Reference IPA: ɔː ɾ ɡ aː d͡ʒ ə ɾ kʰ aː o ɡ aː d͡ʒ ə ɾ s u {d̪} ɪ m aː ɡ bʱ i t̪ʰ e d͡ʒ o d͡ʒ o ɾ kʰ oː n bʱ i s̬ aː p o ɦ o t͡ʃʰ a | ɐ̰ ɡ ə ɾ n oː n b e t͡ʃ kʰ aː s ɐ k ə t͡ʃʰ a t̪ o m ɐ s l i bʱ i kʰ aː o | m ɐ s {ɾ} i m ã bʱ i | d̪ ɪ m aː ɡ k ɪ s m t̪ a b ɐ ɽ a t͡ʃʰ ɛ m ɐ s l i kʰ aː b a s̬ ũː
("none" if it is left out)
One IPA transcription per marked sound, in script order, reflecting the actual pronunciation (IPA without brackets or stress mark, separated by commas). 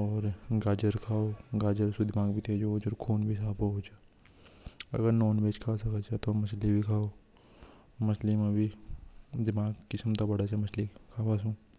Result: d̪, l